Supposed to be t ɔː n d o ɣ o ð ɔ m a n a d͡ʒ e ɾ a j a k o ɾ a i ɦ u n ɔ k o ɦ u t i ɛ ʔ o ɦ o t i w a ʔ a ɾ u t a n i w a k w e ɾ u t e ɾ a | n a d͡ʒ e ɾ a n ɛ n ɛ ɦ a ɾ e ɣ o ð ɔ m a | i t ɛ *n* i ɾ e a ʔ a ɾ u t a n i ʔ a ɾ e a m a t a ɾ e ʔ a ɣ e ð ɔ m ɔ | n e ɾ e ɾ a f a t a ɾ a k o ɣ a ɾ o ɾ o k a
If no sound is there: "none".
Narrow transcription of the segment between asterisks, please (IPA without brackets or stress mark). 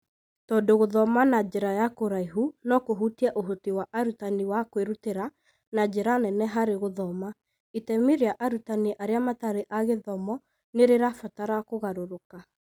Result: m